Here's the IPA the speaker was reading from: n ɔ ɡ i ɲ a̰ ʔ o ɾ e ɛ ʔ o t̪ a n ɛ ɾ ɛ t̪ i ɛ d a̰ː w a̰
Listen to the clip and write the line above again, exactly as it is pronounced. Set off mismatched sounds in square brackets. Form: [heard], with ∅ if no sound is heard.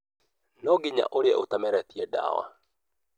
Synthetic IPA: n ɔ ɡ i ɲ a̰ ʔ o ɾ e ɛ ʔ o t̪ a [m] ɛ ɾ ɛ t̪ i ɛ d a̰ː w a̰